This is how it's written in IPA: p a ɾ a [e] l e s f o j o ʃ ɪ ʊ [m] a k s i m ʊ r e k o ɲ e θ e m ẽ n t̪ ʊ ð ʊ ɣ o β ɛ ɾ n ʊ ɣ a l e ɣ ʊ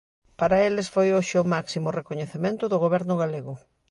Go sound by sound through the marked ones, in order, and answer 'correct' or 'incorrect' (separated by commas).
correct, correct